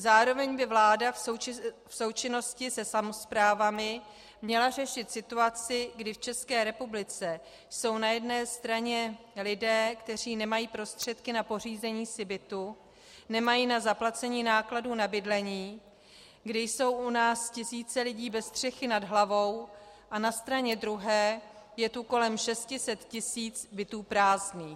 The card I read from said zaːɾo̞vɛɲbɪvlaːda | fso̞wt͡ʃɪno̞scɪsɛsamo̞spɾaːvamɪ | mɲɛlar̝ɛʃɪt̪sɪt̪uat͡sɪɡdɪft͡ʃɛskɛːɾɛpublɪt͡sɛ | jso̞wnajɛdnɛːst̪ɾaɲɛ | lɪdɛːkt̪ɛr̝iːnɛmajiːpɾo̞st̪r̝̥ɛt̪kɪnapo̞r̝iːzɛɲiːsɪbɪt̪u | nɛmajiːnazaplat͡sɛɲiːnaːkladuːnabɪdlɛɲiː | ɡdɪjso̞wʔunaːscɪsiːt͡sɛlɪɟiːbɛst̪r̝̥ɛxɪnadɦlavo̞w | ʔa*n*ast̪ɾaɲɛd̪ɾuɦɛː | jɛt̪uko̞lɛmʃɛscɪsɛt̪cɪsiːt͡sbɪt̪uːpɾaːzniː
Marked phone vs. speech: correct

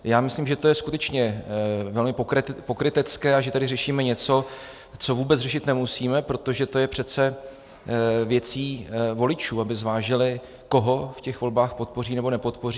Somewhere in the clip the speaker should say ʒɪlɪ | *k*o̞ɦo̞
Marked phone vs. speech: correct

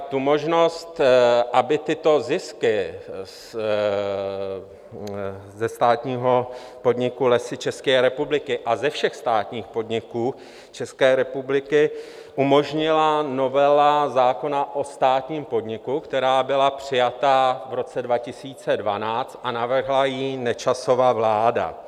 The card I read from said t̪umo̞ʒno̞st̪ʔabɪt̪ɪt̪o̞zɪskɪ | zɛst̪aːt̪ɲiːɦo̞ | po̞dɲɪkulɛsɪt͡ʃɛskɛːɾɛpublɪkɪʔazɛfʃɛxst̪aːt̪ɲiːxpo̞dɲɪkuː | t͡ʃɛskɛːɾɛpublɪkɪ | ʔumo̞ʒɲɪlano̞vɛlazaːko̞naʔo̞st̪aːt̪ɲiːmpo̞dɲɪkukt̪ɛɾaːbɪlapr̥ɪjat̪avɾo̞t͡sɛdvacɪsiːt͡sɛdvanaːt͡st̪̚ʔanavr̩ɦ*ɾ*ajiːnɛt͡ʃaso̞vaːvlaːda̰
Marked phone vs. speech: incorrect: l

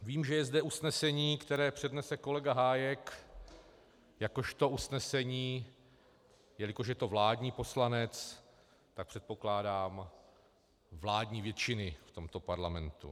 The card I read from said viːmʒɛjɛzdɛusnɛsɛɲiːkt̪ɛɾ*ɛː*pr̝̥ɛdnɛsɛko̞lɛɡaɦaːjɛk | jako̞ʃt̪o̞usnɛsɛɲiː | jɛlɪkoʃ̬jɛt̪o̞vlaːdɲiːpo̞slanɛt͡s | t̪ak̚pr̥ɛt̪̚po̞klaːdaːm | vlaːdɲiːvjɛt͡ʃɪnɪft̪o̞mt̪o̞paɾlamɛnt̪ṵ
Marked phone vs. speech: correct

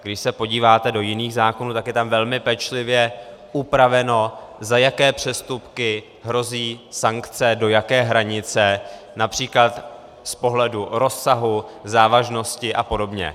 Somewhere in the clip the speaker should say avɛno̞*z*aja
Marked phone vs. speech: correct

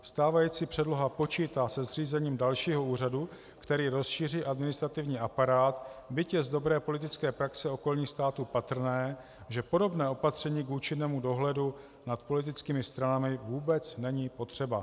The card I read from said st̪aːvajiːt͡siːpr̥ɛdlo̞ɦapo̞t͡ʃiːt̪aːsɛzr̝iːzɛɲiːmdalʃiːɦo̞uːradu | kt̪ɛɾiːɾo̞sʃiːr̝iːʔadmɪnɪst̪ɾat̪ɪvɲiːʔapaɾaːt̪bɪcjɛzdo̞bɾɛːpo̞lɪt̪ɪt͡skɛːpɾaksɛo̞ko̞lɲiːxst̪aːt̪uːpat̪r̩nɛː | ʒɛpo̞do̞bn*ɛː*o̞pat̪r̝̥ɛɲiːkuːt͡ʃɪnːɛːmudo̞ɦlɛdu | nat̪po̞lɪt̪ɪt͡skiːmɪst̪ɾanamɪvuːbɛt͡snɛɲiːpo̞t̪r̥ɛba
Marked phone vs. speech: correct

